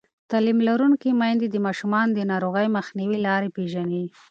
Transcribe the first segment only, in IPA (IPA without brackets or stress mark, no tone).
t̪